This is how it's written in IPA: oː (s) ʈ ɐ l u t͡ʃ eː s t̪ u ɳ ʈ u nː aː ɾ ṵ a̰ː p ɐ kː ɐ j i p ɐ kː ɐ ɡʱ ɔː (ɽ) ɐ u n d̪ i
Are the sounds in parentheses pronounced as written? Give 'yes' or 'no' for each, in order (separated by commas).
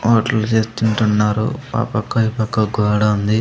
no, yes